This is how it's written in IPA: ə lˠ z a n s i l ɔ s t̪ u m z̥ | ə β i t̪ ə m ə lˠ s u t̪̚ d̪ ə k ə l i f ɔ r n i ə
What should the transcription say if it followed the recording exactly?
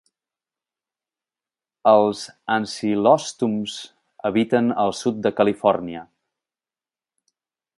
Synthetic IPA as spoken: ə lˠ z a n s i l ɔ s t̪ u m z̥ | ə β i t̪ ə n ə lˠ s u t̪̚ d̪ ə k ə l i f ɔ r n i ə